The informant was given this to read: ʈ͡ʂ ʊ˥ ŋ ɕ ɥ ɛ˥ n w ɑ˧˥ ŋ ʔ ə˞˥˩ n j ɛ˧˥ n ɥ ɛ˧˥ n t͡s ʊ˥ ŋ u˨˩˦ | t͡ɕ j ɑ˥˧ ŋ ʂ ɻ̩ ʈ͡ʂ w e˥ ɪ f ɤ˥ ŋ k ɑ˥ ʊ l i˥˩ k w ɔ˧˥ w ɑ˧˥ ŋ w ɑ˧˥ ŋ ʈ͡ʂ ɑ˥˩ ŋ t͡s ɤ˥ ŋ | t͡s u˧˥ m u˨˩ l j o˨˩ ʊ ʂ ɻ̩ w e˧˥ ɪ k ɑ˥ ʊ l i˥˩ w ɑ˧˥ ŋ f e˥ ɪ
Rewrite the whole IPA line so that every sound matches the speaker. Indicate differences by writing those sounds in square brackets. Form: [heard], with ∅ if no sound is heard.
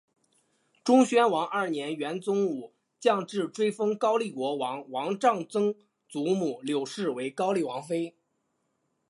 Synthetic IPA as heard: ʈ͡ʂ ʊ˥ ŋ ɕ ɥ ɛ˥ n w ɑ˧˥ ŋ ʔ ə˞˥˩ n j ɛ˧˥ n ɥ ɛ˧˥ n t͡s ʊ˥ ŋ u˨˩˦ | t͡ɕ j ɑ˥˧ ŋ [ʈ͡ʂ] ɻ̩ ʈ͡ʂ w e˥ ɪ f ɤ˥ ŋ k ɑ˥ ʊ l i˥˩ k w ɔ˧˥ w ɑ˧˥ ŋ w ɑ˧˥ ŋ ʈ͡ʂ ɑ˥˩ ŋ t͡s ɤ˥ ŋ | t͡s u˧˥ m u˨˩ l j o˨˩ ʊ ʂ ɻ̩ w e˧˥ ɪ k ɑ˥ ʊ l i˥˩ w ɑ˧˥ ŋ f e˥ ɪ